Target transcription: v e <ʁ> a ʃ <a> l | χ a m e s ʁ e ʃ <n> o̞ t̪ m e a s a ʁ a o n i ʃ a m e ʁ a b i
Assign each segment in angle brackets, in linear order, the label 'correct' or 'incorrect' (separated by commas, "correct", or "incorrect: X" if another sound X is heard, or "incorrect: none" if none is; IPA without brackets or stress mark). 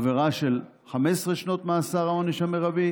correct, incorrect: e, correct